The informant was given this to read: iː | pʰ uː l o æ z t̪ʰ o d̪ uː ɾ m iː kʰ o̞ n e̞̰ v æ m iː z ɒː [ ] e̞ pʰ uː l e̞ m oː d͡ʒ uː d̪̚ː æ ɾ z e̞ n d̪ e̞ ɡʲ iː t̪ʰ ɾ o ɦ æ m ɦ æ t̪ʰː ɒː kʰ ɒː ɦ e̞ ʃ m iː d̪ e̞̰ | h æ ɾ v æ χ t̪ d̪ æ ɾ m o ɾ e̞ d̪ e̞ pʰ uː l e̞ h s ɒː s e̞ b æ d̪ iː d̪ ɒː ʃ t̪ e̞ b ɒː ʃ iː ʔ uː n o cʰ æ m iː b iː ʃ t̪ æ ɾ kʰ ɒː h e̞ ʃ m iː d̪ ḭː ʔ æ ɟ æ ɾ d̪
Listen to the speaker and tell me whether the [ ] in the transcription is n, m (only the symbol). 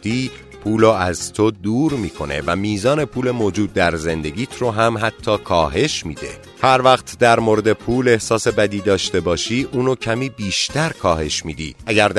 n